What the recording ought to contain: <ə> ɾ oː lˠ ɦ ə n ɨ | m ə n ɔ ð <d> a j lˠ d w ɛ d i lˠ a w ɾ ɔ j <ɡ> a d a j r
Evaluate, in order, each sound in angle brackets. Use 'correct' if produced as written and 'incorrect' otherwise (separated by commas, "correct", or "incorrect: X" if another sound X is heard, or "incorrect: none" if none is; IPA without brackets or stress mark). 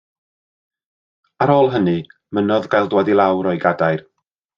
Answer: incorrect: a, incorrect: ɡ, correct